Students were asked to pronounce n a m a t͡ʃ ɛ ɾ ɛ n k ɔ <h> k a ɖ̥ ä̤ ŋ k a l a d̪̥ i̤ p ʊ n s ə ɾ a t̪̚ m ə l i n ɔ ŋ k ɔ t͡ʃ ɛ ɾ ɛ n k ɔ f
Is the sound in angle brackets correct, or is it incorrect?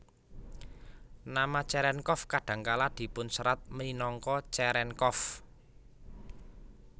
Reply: incorrect: f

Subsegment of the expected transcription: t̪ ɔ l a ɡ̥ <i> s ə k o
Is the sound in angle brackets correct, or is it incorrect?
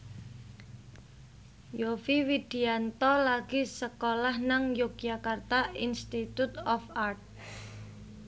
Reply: correct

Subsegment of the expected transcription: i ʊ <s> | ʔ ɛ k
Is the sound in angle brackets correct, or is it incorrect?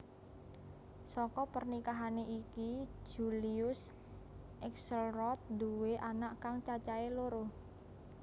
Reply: correct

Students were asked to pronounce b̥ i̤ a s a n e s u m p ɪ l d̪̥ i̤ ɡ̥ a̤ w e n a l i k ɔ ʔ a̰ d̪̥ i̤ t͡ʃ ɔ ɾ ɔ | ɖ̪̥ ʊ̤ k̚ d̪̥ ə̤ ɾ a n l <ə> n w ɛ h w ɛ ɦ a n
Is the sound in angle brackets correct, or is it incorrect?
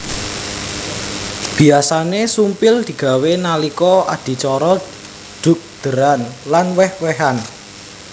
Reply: incorrect: a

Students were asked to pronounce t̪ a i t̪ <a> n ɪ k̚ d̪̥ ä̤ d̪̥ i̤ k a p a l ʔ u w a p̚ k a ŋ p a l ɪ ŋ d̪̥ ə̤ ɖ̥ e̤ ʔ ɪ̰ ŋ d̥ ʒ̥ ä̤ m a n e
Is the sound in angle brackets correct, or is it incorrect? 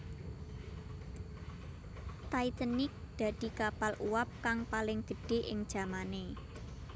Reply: incorrect: ə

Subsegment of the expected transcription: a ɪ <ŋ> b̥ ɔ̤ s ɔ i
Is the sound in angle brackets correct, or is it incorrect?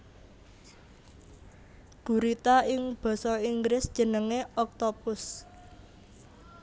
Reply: correct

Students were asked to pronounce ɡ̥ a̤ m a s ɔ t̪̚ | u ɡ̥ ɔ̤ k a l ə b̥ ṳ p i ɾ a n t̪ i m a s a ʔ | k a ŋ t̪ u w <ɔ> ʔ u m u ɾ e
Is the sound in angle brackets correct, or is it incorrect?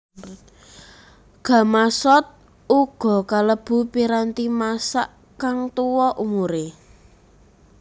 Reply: correct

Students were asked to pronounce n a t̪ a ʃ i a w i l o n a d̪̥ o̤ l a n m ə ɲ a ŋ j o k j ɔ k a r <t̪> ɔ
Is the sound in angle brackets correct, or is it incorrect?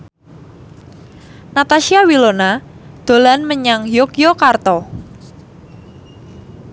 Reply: correct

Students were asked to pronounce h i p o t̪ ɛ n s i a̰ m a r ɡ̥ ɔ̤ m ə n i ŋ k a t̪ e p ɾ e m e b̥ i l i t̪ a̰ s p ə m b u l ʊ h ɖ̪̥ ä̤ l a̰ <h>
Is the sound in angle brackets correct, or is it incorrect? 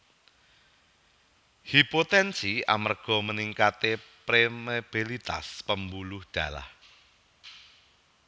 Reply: correct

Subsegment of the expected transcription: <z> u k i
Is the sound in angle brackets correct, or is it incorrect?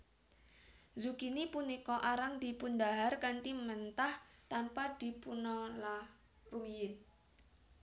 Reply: correct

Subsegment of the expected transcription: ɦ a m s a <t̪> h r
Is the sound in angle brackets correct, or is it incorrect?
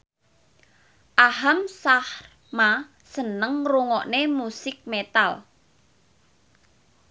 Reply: incorrect: none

